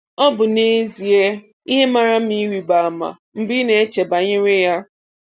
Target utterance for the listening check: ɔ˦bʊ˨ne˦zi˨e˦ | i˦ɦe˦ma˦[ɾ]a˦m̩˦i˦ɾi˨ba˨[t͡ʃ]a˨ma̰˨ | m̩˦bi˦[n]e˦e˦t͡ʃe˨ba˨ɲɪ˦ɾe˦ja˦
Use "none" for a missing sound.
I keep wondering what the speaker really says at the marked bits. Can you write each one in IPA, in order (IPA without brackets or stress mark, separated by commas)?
ɾ, none, n